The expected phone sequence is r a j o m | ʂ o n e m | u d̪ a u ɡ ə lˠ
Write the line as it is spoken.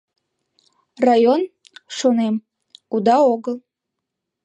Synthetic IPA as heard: r a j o n | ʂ o n e m | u d̪ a o ɡ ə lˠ